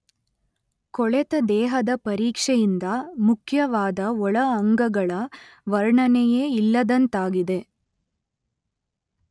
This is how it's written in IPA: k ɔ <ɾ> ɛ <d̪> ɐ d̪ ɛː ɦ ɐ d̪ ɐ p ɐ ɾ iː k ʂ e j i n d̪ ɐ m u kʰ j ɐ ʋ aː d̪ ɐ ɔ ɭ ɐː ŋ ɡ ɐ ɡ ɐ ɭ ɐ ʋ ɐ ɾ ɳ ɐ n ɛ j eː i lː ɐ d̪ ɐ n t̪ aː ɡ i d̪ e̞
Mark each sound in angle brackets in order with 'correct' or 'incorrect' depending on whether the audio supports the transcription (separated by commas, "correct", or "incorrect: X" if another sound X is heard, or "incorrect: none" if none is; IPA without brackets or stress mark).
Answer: incorrect: ɭ, incorrect: t̪